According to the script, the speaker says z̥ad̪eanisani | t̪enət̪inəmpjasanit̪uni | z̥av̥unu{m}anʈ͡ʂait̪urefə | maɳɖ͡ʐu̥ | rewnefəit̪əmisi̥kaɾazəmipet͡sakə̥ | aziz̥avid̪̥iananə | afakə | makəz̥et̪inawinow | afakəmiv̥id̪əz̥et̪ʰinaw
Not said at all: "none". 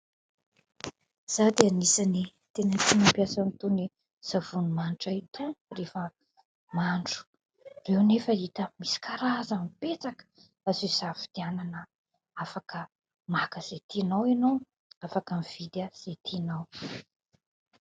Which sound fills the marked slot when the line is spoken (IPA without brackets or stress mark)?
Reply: m